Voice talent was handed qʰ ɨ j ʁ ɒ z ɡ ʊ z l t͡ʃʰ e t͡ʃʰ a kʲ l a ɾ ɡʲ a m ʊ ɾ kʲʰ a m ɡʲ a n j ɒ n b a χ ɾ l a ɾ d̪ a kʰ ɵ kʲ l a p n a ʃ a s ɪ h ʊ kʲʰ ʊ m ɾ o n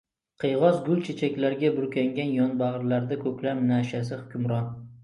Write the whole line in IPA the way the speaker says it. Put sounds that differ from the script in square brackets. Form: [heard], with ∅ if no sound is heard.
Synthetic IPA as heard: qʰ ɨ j ʁ ɒ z ɡ ʊ [∅] l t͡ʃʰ e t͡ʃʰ a kʲ l a ɾ ɡʲ a [b] ʊ ɾ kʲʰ a [ŋ] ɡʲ a n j ɒ n b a [ʁ] ɾ l a ɾ d̪ a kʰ ɵ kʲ l a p n a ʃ a s ɪ h ʊ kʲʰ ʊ m ɾ [ɒ] n